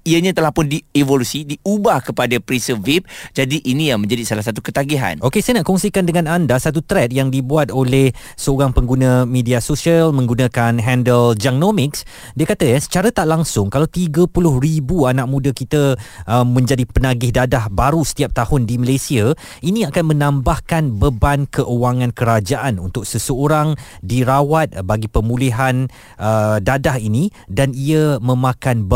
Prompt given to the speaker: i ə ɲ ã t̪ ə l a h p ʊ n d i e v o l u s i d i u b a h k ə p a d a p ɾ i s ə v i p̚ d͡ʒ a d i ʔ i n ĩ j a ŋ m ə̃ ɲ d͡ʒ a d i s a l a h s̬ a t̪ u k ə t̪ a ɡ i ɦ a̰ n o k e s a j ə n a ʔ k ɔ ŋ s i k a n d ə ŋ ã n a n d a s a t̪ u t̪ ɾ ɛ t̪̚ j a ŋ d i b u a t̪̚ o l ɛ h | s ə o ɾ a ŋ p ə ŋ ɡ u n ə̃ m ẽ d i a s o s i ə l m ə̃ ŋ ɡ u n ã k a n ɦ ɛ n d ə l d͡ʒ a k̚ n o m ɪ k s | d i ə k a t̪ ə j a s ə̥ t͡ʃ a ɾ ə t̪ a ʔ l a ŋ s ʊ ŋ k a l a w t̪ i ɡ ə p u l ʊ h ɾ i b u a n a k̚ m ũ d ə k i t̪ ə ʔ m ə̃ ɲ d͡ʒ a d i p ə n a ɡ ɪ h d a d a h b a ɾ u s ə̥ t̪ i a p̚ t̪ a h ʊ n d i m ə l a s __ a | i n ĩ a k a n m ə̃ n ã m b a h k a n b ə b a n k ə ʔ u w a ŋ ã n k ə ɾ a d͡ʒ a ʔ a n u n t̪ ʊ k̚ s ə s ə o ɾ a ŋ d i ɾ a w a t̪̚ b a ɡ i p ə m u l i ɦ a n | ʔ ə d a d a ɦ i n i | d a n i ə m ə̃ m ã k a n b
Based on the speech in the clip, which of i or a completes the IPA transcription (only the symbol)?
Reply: i